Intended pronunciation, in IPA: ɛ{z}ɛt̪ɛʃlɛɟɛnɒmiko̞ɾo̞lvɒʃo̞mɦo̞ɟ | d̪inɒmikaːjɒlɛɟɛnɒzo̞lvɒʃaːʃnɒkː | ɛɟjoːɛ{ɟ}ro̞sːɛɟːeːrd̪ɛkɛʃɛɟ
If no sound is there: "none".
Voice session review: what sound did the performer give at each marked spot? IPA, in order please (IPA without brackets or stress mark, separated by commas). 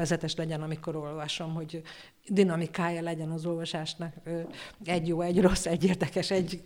z, ɟ